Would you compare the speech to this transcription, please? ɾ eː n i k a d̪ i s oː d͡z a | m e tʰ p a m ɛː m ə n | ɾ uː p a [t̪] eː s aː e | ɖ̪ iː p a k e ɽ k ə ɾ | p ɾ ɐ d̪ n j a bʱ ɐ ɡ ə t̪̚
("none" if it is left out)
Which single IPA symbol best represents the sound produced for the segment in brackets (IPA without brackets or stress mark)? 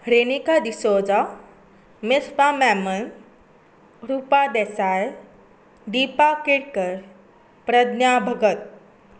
d̪